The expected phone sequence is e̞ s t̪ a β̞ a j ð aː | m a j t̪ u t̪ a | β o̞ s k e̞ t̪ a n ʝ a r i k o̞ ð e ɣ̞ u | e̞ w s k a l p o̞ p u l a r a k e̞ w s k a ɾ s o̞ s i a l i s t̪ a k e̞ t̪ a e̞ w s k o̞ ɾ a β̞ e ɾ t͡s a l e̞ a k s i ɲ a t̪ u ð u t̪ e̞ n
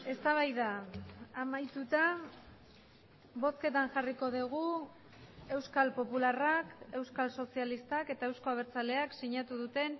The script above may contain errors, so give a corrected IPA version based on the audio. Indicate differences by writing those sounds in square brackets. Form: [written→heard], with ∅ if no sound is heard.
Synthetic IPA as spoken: e̞ s t̪ a β̞ a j ð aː | m a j t̪ u t̪ a | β o̞ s k e̞ t̪ a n ʝ a r i k o̞ ð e ɣ̞ u | e̞ w s k a l p o̞ p u l a r a k e̞ w s k a [ɾ→l] s o̞ s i a l i s t̪ a k e̞ t̪ a e̞ w s k o̞ [ɾ→∅] a β̞ e ɾ t͡s a l e̞ a k s i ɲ a t̪ u ð u t̪ e̞ n